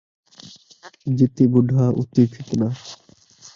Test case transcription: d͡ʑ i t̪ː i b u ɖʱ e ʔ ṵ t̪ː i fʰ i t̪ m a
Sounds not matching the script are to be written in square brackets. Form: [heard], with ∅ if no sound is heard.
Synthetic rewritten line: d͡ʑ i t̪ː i b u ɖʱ [a] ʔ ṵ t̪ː i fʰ i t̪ [n] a

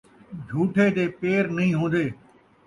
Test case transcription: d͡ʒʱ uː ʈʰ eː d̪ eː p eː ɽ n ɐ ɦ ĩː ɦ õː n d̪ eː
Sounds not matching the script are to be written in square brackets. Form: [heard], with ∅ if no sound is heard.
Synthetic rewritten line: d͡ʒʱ uː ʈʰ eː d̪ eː p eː [ɾ] n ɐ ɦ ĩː ɦ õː n d̪ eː

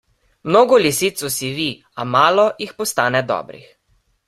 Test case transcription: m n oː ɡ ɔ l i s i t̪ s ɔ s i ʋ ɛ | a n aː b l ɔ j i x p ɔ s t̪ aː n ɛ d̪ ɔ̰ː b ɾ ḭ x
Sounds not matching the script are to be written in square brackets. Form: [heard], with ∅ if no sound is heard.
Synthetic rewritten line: m n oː ɡ ɔ l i s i t̪ s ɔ s i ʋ [i] | a [m] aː [∅] l ɔ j i x p ɔ s t̪ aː n ɛ d̪ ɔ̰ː b ɾ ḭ x

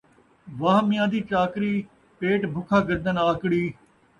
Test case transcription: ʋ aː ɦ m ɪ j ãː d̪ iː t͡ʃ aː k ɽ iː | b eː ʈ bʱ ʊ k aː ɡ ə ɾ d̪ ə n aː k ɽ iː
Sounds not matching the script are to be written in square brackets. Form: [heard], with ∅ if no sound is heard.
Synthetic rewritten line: ʋ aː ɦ m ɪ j ãː d̪ iː t͡ʃ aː k [ɾ] iː | [p] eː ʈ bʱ ʊ [kʰ] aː ɡ ə ɾ d̪ ə n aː k ɽ iː

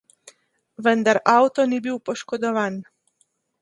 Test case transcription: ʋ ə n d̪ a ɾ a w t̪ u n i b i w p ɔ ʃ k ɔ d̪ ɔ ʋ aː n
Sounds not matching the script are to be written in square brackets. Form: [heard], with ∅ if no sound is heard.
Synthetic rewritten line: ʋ ə n d̪ a ɾ a w t̪ [ɔ] n i b i w p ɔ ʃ k ɔ d̪ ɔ ʋ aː n

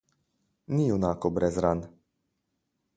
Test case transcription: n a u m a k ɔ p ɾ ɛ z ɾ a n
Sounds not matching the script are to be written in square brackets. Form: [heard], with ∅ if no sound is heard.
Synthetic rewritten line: n [i] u [n] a k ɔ [b] ɾ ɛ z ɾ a n

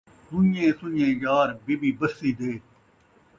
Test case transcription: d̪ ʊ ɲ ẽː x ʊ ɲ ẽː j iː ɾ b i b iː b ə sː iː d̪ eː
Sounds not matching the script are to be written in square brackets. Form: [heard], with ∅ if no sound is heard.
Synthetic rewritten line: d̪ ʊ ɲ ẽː [s] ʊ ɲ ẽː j [aː] ɾ b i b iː b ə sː iː d̪ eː

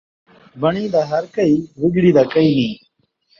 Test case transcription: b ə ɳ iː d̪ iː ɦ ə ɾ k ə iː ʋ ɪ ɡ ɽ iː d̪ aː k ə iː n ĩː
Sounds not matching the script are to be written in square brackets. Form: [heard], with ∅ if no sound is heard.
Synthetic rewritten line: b ə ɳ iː d̪ [aː] ɦ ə ɾ k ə iː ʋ ɪ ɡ ɽ iː d̪ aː k ə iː n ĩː

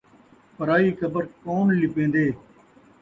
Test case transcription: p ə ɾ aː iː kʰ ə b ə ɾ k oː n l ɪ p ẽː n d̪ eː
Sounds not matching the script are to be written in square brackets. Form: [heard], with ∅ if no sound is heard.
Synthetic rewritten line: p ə ɾ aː iː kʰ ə b ə ɾ k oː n l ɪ p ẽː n d̪ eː

